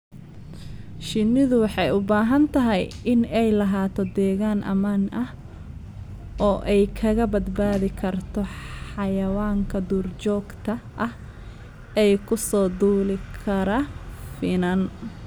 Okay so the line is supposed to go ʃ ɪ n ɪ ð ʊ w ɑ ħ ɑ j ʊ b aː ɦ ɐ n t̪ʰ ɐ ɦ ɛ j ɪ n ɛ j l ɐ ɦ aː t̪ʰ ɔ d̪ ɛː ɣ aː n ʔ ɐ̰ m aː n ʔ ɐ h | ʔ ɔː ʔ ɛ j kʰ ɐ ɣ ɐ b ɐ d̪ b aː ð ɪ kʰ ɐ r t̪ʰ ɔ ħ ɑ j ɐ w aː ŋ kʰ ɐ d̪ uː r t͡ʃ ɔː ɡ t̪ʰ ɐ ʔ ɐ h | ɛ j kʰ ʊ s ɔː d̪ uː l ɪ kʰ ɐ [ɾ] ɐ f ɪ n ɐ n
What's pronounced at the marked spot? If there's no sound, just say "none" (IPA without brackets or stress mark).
ɾ